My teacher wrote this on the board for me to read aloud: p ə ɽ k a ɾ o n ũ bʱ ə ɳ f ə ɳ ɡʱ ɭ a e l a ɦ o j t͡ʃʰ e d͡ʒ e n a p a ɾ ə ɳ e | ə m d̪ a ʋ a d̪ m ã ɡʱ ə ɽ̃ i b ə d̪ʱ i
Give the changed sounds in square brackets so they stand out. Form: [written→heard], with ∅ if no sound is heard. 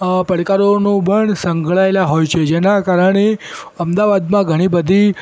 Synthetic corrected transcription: p ə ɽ k a ɾ o n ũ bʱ ə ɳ [f→s] ə [ɳ→ŋ] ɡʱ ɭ a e l a ɦ o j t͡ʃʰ e d͡ʒ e n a [p→k] a ɾ ə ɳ e | ə m d̪ a ʋ a d̪ m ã ɡʱ ə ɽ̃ i b ə d̪ʱ i

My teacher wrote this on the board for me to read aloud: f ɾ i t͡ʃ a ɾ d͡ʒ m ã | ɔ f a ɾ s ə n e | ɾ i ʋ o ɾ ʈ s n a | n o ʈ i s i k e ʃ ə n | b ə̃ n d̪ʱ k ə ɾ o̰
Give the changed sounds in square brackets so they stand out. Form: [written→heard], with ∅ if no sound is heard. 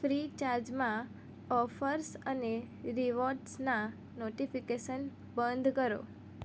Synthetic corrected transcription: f ɾ i t͡ʃ a ɾ d͡ʒ m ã | ɔ f [a→ə] ɾ s ə n e | ɾ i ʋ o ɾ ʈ s n a | n o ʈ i [s→f] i k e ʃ ə n | b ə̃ n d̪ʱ k ə ɾ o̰

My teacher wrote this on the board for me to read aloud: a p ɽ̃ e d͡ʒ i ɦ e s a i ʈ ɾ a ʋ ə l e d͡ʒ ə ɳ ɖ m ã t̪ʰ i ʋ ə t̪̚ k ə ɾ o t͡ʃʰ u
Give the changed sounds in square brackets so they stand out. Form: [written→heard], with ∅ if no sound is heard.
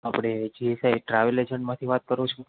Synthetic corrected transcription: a p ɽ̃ e d͡ʒ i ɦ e s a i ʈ ɾ a ʋ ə l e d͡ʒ ə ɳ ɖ m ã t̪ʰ i ʋ [ə→a] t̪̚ k ə ɾ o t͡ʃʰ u

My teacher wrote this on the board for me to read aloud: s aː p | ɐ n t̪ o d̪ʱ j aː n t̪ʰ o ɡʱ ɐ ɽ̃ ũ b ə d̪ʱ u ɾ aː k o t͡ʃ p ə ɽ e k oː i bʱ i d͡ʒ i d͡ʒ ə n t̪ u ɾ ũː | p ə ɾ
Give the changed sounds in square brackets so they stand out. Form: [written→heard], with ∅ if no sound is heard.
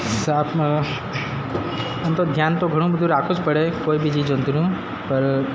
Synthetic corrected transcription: s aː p | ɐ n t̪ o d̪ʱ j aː n [t̪ʰ→t̪] o ɡʱ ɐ ɽ̃ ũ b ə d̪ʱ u ɾ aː k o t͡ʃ p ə ɽ e k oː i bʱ i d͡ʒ i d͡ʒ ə n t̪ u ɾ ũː | p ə ɾ

